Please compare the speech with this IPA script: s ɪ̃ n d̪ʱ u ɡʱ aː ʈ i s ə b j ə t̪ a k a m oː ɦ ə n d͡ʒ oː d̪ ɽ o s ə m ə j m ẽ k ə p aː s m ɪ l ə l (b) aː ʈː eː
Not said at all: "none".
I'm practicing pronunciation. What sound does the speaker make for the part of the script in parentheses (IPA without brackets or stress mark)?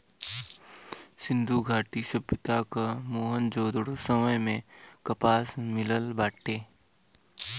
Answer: b